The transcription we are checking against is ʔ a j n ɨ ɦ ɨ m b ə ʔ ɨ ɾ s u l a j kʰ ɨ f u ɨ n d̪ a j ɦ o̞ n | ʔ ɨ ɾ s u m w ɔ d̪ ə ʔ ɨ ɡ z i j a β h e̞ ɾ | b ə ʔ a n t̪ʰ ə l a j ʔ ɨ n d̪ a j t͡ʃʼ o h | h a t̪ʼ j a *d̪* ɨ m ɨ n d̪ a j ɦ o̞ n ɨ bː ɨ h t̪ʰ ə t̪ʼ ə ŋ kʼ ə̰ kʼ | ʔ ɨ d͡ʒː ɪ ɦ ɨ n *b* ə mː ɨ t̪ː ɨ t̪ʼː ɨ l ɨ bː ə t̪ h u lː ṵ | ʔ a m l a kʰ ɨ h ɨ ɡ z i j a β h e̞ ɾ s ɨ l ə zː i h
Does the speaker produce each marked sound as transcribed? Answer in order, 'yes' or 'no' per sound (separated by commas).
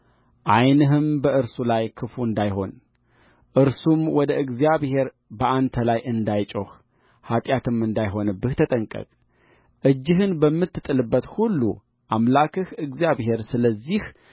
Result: no, yes